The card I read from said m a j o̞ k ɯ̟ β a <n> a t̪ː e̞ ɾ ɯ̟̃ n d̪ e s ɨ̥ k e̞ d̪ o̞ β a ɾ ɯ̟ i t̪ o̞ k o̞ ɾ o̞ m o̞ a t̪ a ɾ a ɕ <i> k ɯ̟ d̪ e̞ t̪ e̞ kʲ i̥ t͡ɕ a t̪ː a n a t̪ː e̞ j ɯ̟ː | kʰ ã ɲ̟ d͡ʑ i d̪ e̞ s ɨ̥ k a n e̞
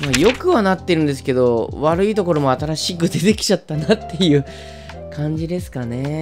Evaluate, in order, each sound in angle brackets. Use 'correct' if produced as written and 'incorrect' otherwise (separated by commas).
correct, correct